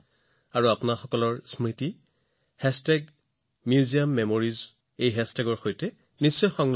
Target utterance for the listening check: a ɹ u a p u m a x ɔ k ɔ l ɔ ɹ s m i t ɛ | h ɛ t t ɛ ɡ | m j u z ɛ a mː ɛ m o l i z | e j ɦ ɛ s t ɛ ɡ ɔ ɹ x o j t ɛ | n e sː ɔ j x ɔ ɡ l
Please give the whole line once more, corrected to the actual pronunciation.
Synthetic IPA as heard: a ɹ u a p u n a x ɔ k ɔ l ɔ ɹ s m i t i | h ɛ s t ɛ ɡ | m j u z i a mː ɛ m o ɹ i z | e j ɦ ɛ s t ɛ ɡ ɔ ɹ x o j t ɛ | n i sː ɔ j x ɔ ŋ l